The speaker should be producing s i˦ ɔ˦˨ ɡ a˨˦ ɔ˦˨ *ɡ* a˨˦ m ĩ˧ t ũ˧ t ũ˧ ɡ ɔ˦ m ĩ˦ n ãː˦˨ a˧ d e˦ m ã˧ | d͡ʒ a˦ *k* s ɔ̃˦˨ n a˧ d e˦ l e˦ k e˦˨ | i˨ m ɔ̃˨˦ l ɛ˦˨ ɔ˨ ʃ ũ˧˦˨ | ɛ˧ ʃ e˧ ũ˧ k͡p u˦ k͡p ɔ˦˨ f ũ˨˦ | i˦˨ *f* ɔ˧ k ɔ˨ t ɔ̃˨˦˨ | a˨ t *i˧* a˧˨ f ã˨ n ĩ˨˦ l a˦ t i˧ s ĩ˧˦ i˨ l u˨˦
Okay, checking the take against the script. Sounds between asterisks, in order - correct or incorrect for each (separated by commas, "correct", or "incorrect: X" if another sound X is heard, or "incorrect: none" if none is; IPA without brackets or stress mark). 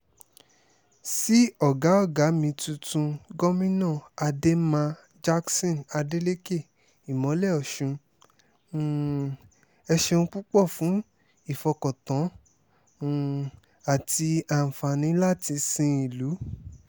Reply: correct, correct, correct, correct